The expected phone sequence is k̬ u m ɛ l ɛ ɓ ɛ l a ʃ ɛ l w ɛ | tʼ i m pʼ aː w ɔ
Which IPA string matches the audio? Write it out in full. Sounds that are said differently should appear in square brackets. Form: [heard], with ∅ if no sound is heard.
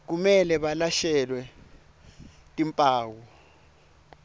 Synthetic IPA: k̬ u m ɛ l ɛ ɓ [a] l a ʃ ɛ l w ɛ | tʼ i m pʼ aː w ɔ